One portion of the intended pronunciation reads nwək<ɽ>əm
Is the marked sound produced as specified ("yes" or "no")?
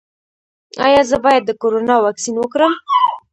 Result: no